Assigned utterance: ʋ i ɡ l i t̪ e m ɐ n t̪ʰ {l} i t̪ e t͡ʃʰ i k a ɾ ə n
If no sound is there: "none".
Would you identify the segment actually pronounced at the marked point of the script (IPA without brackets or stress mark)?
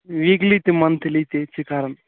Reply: l